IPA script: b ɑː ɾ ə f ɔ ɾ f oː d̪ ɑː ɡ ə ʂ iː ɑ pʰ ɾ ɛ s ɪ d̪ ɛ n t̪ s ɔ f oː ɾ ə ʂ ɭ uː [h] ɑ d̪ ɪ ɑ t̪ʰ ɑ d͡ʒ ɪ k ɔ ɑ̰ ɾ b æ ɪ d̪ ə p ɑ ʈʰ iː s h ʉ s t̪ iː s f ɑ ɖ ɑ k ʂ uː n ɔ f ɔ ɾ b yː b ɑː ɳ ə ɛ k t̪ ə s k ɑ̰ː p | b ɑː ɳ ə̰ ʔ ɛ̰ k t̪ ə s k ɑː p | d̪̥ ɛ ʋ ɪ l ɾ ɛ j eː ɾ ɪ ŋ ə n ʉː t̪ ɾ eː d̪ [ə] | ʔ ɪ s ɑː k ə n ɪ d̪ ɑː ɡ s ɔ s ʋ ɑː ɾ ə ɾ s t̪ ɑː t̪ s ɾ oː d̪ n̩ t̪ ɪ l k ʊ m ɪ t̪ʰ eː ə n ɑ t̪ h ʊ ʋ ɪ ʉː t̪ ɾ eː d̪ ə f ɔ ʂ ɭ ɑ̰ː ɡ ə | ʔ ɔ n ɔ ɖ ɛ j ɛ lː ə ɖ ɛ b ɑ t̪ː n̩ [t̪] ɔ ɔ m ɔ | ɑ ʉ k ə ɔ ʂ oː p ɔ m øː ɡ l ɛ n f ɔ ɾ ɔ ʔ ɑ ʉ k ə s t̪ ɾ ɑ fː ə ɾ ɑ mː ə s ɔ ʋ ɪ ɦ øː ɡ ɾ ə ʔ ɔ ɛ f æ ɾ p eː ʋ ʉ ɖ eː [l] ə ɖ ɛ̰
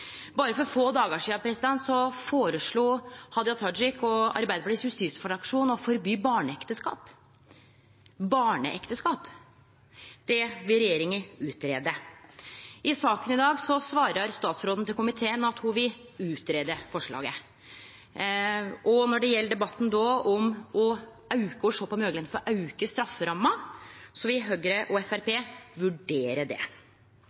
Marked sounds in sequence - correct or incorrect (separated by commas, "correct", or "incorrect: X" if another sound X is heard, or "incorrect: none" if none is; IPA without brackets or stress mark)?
correct, correct, incorrect: d̪, incorrect: ɾ